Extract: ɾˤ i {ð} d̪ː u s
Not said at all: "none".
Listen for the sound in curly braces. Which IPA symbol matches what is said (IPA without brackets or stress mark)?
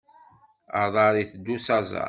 θ